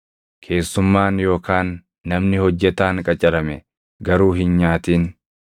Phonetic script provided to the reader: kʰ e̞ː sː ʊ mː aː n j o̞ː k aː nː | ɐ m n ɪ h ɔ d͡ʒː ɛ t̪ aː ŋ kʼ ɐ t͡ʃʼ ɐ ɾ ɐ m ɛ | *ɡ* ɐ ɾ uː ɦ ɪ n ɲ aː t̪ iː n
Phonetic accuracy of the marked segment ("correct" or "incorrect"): correct